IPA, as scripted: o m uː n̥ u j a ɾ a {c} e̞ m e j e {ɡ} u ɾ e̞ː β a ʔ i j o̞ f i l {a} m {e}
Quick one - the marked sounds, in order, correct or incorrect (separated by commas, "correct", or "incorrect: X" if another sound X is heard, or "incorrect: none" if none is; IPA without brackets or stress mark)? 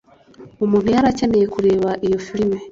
correct, incorrect: k, incorrect: i, correct